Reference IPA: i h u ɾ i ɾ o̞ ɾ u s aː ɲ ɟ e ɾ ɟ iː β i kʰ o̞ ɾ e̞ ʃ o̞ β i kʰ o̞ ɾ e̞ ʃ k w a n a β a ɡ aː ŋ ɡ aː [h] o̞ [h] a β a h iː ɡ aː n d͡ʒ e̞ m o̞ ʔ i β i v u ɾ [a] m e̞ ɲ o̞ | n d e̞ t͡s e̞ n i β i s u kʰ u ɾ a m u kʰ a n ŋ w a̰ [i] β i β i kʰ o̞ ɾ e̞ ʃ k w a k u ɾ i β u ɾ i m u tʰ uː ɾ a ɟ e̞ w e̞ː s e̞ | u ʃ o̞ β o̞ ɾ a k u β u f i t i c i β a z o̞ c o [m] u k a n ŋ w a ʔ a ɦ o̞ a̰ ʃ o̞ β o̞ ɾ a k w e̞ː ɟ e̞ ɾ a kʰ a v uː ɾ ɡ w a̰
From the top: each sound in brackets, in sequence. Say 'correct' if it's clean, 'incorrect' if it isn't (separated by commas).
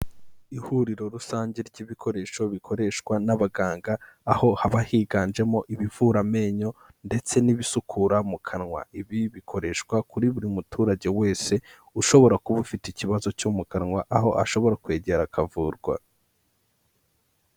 correct, correct, correct, correct, correct